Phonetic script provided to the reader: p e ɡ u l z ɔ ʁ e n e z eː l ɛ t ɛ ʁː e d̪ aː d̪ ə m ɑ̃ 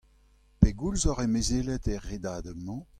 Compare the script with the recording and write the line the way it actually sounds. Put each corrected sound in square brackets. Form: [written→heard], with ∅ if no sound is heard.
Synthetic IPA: p e ɡ u l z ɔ ʁ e [n→m] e z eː l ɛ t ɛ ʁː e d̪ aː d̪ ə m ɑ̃

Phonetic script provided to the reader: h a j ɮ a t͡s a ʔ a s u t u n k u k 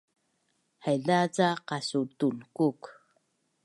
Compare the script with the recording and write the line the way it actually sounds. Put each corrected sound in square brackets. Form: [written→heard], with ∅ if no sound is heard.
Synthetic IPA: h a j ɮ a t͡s a [ʔ→q] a s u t u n k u k

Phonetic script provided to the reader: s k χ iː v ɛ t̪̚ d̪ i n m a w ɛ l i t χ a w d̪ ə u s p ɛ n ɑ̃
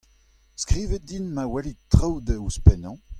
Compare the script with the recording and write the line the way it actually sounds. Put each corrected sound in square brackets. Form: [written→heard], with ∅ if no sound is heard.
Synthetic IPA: s k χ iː v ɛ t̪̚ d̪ i n m a w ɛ l i t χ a w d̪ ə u s p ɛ n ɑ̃

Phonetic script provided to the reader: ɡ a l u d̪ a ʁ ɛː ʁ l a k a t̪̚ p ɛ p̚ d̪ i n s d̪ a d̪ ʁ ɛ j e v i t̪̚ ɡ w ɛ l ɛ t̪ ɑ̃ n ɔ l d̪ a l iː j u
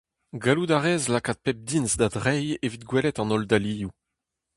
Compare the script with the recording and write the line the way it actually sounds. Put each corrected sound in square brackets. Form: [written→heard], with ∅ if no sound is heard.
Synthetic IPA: ɡ a l u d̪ a ʁ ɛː [ʁ→z] l a k a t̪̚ p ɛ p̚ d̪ i n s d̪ a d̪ ʁ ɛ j e v i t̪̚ ɡ w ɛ l ɛ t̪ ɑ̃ n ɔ l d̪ a l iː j u

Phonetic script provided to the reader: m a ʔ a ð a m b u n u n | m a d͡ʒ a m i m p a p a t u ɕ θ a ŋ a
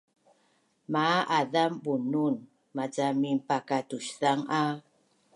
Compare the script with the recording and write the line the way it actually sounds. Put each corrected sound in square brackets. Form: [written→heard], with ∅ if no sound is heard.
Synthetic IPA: m a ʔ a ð a m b u n u n | m a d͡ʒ a m i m p a [p→k] a t u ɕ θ a ŋ a

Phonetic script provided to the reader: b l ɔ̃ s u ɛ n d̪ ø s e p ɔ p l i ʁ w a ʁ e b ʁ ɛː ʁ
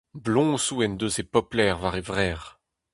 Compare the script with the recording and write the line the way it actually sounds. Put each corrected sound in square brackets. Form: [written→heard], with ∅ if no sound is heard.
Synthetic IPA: b l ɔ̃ s u ɛ n d̪ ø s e p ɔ p l [i→ɛ] ʁ [w→v] a ʁ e [b→v] ʁ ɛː ʁ

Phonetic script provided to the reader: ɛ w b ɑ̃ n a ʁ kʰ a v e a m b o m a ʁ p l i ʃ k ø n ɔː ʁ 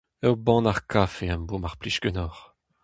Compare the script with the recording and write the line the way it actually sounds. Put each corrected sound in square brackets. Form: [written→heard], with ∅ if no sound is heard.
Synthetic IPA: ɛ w b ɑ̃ n a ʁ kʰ a [v→f] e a m b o m a ʁ p l i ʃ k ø n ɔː ʁ

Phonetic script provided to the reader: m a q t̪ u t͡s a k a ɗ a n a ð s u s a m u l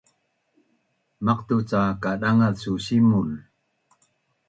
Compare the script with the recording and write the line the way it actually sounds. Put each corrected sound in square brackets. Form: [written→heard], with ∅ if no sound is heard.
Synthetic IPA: m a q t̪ u t͡s a k a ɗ a [n→ŋ] a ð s u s [a→i] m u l

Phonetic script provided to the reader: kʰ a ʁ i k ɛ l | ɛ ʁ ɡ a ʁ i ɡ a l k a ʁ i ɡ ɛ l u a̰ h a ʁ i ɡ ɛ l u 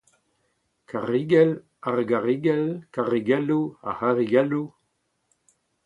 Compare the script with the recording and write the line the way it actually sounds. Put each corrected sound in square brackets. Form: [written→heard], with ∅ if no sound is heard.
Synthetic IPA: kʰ a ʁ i [k→ɡ] ɛ l | [ɛ→a] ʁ ɡ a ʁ i ɡ [a→ɛ] l k a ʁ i ɡ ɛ l u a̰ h a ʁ i ɡ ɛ l u

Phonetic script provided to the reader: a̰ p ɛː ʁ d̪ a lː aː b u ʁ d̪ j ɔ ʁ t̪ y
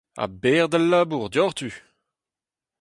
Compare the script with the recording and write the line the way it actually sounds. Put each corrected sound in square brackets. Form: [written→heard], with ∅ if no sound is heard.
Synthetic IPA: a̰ [p→b] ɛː ʁ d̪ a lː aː b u ʁ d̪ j ɔ ʁ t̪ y

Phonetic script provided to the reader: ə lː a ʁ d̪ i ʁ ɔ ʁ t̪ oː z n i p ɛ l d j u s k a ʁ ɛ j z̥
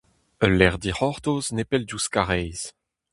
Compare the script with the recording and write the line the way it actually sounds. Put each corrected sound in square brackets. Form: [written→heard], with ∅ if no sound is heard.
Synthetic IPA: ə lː [a→ɛ] ʁ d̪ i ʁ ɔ ʁ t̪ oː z n [i→e] p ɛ l d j u s k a ʁ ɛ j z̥

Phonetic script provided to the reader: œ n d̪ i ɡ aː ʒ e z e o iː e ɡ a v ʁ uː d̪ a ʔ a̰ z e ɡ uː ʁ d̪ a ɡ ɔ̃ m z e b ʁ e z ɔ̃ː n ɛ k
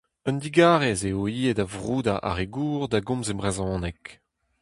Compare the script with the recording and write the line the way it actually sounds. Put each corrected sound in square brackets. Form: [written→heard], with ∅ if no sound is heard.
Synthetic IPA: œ n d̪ i ɡ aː [ʒ→ʁ] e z e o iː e [ɡ→d] a v ʁ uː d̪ a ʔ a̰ [z→ʁ] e ɡ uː ʁ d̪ a ɡ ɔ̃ m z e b ʁ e z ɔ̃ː n ɛ k

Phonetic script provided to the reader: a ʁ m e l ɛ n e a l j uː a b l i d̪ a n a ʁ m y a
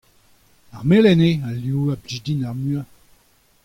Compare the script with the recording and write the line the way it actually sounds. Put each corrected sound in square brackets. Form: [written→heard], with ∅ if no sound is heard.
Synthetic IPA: a ʁ m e l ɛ n e a l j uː a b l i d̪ [a→i] n a ʁ m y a

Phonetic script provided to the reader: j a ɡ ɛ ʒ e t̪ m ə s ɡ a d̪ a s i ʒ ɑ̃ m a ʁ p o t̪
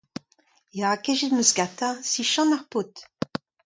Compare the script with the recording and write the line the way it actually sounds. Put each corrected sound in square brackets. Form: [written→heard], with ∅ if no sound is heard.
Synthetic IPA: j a [ɡ→k] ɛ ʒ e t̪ m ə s ɡ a [d̪→t̪] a s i [ʒ→ʃ] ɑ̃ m a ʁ p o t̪

